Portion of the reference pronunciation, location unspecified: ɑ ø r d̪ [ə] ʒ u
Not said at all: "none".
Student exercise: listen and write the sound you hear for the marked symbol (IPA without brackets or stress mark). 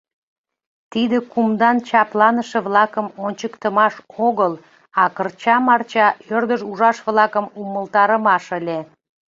ə